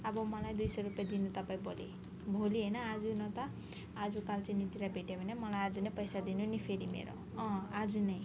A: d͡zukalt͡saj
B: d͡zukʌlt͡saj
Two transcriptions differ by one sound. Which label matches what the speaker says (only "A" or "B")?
A